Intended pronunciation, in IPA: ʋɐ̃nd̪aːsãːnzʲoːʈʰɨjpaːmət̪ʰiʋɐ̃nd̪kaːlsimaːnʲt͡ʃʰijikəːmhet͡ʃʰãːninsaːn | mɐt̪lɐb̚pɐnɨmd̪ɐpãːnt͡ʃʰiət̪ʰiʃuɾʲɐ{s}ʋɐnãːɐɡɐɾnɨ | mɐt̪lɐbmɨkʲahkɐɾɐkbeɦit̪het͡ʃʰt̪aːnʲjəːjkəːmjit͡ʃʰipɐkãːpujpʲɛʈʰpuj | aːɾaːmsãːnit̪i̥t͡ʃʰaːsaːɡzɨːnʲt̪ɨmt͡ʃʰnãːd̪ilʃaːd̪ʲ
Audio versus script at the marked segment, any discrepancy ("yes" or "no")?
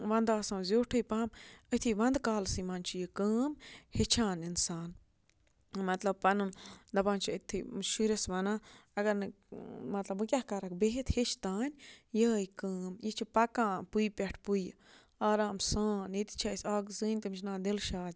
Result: no